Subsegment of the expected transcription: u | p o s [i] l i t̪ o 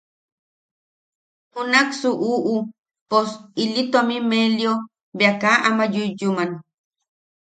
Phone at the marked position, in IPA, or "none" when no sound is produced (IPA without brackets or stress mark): i